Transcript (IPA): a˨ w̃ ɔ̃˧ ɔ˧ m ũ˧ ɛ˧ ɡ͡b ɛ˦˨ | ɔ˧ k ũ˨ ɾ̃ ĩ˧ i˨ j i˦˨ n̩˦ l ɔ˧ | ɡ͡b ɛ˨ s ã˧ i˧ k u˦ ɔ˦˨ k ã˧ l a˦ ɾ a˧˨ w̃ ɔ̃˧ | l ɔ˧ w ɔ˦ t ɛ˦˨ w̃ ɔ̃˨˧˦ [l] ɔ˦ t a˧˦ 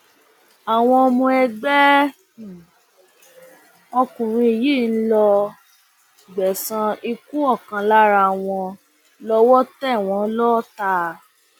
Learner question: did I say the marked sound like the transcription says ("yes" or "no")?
yes